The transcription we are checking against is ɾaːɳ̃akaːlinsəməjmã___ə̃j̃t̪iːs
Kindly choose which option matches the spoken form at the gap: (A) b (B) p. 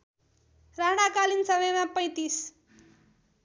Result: B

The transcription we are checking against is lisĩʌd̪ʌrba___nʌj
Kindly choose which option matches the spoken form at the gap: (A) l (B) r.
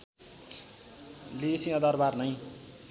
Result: B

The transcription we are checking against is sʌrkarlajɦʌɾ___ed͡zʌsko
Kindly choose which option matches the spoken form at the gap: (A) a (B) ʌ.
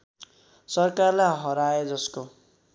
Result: A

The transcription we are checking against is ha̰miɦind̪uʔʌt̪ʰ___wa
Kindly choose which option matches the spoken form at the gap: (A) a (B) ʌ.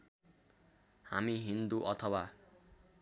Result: B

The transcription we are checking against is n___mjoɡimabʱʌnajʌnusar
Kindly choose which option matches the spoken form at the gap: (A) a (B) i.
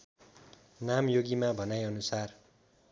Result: A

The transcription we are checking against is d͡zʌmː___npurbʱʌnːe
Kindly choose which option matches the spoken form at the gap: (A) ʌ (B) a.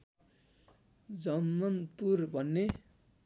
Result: A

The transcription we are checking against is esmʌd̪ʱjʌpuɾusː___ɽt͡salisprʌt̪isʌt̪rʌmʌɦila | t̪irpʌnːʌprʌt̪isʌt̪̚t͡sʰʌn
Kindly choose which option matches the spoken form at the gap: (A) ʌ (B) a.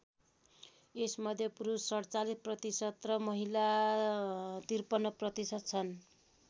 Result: A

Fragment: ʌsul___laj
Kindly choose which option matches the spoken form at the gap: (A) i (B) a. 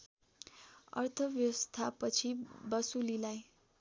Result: A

